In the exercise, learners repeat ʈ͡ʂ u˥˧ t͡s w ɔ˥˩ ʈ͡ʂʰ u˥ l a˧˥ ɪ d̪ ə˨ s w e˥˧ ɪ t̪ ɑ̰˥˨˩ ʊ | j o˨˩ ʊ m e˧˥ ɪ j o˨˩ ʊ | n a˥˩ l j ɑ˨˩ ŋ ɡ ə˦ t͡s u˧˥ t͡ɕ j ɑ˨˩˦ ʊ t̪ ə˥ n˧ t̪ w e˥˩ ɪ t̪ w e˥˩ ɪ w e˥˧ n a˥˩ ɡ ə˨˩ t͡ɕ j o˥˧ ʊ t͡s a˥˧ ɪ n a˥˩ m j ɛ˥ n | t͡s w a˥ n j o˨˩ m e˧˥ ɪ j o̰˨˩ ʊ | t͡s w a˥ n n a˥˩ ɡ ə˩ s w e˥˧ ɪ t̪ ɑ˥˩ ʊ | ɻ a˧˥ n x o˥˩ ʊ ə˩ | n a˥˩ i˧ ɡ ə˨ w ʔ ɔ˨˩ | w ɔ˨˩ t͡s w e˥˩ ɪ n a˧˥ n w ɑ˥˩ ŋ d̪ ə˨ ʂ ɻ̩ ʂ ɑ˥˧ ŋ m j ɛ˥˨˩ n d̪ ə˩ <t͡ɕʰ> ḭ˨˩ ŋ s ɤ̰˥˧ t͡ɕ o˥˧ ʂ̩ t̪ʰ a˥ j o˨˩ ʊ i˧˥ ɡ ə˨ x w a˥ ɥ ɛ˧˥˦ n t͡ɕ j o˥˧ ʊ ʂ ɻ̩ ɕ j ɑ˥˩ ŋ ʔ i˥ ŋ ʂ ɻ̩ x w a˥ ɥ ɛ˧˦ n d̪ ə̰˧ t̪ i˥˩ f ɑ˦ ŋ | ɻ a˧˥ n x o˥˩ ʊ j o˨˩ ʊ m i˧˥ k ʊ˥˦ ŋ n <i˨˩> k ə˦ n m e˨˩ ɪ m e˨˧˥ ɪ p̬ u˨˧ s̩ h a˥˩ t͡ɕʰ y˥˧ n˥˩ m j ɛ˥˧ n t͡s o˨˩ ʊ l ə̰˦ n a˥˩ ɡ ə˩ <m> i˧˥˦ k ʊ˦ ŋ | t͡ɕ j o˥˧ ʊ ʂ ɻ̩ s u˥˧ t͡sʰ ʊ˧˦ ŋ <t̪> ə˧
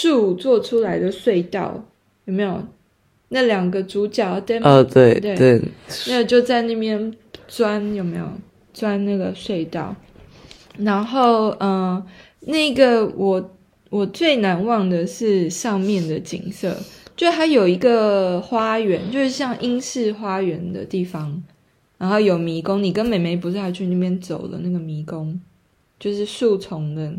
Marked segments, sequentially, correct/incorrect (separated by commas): incorrect, correct, correct, incorrect